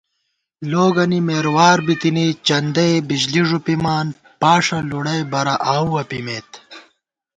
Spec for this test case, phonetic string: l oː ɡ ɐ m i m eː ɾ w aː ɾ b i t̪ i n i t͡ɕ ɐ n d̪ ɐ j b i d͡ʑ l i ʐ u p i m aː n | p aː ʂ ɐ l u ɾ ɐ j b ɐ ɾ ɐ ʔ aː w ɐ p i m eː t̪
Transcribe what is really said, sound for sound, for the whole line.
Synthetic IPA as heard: l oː ɡ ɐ n i m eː ɾ w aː ɾ b i t̪ i n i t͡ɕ ɐ n d̪ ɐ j b i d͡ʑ l i ʐ u p i m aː n | p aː ʂ ɐ l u ɽ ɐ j b ɐ ɾ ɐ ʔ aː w ɐ p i m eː t̪